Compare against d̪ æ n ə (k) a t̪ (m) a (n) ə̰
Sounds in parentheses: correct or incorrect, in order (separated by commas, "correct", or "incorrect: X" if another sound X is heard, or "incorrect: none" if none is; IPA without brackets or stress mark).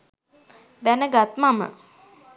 incorrect: ɡ, correct, incorrect: m